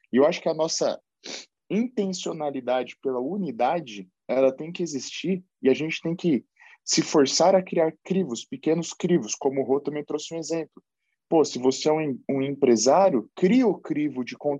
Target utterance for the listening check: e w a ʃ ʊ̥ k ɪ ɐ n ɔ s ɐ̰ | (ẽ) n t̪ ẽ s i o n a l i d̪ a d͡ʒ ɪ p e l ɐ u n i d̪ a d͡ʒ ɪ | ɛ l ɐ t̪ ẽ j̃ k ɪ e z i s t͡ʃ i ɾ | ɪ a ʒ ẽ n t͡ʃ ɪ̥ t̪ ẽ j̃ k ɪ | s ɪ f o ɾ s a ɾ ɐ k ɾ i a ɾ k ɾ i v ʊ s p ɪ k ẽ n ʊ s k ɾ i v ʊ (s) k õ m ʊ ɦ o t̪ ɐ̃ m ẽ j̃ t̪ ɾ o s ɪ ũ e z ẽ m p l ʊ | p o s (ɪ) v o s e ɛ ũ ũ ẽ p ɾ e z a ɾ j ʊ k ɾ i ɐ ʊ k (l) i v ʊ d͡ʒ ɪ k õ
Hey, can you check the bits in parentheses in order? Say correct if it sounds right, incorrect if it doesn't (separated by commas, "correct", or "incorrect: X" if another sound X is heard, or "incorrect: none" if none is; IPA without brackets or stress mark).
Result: incorrect: ĩ, correct, correct, incorrect: ɾ